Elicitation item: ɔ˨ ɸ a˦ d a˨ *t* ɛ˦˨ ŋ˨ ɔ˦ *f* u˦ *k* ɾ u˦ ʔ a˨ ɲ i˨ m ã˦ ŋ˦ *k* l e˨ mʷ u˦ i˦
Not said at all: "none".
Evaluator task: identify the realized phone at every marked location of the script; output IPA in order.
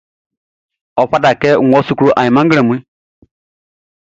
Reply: k, s, k, ɡ

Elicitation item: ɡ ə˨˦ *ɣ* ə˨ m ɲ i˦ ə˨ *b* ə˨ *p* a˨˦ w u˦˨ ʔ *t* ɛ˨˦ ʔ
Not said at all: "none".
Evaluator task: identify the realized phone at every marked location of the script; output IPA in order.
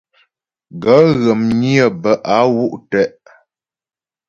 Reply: ɣ, b, ʔ, t

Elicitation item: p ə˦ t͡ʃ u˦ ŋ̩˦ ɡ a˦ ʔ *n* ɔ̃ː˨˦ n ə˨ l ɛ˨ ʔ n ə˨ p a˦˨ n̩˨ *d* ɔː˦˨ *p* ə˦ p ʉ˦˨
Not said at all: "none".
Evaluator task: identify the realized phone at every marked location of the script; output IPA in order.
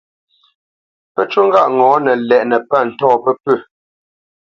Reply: ŋ, t, p

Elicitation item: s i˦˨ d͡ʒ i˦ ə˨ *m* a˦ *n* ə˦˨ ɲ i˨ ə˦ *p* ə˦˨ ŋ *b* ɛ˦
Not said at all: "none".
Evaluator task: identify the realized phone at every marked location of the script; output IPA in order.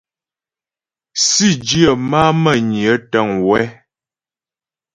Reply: m, m, t, w

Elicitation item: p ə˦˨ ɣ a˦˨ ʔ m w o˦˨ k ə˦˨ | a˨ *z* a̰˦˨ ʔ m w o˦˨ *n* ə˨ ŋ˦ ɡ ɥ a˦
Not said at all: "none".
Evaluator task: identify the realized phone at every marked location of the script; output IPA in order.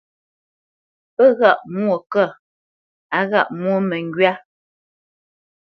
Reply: ɣ, m

